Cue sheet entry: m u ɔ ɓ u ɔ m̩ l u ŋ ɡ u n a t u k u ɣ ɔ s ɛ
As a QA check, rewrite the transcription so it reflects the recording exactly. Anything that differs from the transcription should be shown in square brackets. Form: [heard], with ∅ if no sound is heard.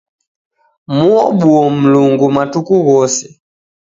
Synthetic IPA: m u ɔ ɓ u ɔ m̩ l u ŋ ɡ u [m] a t u k u ɣ ɔ s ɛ